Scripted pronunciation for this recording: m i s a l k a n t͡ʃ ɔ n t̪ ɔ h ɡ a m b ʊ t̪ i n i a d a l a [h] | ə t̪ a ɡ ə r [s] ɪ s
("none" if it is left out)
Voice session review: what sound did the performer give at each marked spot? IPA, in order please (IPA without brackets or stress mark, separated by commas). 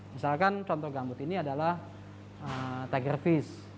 h, f